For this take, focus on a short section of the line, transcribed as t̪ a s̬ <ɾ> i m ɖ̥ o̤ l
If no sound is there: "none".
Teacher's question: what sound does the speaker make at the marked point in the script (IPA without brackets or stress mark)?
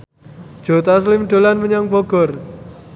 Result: l